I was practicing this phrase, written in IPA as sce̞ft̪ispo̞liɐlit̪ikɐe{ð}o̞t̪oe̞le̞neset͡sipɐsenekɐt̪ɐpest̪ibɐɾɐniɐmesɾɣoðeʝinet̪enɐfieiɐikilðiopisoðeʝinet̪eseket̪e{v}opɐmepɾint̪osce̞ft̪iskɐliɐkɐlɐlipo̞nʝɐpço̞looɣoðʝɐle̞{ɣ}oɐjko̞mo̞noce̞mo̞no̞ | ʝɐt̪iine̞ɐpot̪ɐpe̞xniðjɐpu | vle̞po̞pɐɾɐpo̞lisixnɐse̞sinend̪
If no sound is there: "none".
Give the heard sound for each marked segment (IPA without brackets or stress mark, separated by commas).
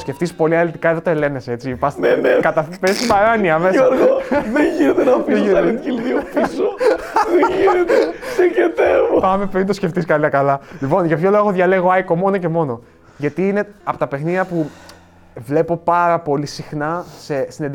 ð, v, ɣ